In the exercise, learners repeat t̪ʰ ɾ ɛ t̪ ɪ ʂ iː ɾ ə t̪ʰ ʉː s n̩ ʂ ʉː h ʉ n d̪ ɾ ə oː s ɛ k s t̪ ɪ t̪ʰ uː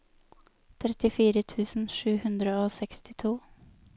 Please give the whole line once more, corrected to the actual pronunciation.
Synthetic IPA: t̪ʰ ɾ ɛ t̪ ɪ f iː ɾ ə t̪ʰ ʉː s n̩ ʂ ʉː h ʉ n d̪ ɾ ə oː s ɛ k s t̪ ɪ t̪ʰ uː